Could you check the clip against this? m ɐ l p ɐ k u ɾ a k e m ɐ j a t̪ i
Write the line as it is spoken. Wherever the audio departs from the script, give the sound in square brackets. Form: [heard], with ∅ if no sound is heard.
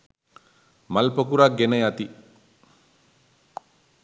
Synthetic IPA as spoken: m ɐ l p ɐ k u ɾ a [ɡ] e [n] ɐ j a t̪ i

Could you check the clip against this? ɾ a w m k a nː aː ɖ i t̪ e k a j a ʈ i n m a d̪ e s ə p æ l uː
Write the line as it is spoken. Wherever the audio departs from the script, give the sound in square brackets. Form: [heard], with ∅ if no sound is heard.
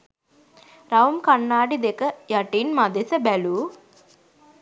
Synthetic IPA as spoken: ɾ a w m k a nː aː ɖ i [d̪] e k [ə] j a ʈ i n m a d̪ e s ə [b] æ l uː

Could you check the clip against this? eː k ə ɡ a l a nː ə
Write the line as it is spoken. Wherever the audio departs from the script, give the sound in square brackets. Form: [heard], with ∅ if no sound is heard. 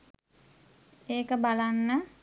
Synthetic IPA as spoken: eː k ə [b] a l a nː ə

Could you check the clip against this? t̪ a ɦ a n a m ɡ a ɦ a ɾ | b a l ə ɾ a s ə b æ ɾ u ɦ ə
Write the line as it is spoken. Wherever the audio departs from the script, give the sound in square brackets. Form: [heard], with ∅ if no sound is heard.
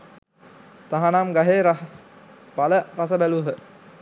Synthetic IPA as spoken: t̪ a ɦ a n a m ɡ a ɦ [e] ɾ | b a l ə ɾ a s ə b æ [l] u ɦ ə

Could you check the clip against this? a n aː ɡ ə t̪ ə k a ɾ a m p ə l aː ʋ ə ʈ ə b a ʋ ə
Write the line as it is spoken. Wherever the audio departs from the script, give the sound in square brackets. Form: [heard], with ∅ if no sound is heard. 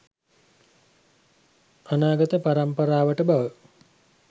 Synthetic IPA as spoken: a n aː ɡ ə t̪ ə [p] a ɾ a m p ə [ɾ] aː ʋ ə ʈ ə b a ʋ ə

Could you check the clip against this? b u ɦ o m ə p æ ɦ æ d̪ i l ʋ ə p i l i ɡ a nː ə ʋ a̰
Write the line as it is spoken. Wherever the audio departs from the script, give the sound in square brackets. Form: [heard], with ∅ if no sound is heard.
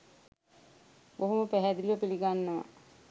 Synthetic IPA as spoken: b [o] ɦ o m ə p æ ɦ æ d̪ i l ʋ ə p i l i ɡ a nː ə ʋ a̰

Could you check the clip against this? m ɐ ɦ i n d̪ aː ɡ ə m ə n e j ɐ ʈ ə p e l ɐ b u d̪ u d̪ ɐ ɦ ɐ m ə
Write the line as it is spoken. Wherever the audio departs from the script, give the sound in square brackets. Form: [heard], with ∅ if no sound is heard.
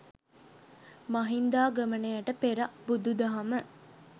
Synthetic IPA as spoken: m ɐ ɦ i n d̪ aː ɡ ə m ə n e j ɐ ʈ ə p e [ɾ] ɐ b u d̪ u d̪ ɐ ɦ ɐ m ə

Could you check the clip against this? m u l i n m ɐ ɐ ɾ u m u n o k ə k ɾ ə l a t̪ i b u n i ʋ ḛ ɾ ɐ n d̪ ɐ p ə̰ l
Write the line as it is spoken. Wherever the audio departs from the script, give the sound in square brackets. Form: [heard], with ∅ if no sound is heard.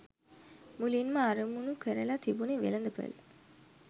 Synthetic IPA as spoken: m u l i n m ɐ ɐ ɾ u m u n [u] k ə [∅] ɾ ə l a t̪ i b u n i ʋ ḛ [l] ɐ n d̪ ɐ p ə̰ l

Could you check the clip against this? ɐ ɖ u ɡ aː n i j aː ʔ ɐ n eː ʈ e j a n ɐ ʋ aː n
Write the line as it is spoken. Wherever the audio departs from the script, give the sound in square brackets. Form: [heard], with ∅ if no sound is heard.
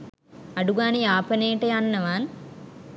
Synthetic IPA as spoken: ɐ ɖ u ɡ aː n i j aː [p] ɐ n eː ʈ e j a [nː] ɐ ʋ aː n

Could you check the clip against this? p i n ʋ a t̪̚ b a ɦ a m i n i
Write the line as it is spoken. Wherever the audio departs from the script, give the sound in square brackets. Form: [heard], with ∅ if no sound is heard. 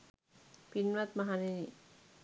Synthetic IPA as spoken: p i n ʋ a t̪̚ [m] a ɦ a [n] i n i

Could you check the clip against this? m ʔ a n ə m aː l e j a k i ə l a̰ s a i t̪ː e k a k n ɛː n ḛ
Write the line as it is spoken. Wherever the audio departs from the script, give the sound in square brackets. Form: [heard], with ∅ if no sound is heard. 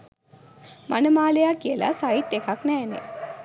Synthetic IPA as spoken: m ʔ a n ə m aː l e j a k i ə l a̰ s a i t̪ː e k a k n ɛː n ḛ

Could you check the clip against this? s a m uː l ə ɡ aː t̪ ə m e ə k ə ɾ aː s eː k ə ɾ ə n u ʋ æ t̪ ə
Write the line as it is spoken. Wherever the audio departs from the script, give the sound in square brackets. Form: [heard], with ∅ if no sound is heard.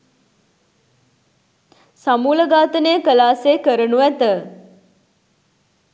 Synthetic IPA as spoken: s a m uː l ə ɡ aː t̪ ə [n] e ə k ə [l] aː s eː k ə ɾ ə n u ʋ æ t̪ ə

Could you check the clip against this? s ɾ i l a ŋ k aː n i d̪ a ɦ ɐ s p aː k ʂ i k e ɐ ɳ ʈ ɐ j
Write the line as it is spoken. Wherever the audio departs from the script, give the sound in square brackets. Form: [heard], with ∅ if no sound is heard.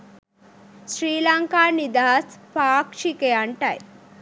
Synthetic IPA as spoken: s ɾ [iː] l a ŋ k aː n i d̪ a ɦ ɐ s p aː k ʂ i k e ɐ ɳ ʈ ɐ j

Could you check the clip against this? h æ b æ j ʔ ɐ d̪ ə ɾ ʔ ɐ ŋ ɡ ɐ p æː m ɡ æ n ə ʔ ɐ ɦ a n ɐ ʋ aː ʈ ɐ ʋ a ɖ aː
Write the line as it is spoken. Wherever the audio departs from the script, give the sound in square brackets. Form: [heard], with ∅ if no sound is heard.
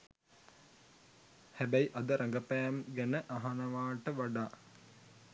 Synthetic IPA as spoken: h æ b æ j ʔ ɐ d̪ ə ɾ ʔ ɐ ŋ ɡ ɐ p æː m ɡ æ n ə ʔ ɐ ɦ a n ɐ ʋ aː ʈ [ə] ʋ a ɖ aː

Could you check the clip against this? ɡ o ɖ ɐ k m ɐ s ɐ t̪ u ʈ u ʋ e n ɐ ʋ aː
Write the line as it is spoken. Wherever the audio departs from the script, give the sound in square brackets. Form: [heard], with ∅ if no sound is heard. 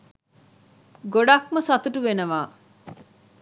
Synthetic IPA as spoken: ɡ o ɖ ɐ k m ɐ s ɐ t̪ u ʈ u ʋ e n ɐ ʋ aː

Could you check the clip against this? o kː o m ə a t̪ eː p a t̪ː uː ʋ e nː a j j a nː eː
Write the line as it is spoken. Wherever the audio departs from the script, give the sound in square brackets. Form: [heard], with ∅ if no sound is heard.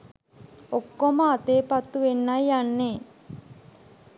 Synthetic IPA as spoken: o kː o m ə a t̪ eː p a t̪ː [u] ʋ e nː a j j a nː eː

